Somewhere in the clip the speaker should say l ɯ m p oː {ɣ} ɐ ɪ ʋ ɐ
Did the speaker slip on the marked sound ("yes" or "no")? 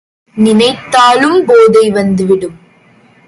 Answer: yes